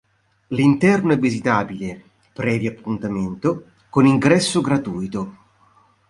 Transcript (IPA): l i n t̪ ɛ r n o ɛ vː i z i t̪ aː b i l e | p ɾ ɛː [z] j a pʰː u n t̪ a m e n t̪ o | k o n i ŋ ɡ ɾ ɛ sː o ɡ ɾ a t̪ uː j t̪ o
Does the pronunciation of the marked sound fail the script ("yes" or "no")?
yes